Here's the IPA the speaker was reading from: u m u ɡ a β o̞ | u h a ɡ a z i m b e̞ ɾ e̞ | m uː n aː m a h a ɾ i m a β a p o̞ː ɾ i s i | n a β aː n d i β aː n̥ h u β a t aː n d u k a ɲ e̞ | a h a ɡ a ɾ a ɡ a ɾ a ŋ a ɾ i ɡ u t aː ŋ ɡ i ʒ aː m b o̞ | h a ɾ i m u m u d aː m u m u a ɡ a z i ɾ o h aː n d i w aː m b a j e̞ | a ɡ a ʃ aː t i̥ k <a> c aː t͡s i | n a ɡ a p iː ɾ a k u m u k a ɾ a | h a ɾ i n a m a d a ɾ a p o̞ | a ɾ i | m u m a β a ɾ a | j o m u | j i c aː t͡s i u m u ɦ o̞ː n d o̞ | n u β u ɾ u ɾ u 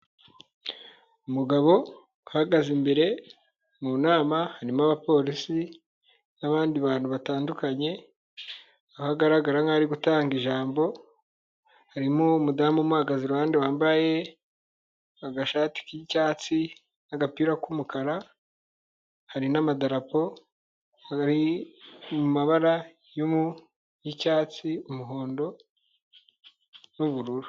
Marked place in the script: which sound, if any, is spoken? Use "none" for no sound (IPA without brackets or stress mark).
i